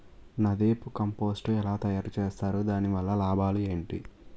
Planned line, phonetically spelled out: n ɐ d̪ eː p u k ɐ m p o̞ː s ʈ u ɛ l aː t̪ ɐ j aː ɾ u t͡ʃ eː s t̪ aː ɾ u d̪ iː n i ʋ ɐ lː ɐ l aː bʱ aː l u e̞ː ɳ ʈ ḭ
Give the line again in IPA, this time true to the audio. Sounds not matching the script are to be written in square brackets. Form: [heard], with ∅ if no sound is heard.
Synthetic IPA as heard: n ɐ d̪ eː p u k ɐ m p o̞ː s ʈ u ɛ l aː t̪ ɐ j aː ɾ u t͡ʃ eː s t̪ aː ɾ u d̪ [aː] n i ʋ ɐ lː ɐ l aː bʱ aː l u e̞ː ɳ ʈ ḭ